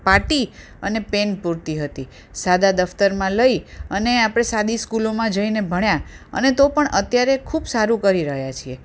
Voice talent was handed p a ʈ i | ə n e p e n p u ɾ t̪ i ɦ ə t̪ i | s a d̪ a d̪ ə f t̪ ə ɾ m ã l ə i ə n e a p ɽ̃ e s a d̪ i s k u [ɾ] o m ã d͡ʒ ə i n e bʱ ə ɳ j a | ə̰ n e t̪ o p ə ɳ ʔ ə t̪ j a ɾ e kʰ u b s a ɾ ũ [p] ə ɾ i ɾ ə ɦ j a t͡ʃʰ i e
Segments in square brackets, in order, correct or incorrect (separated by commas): incorrect, incorrect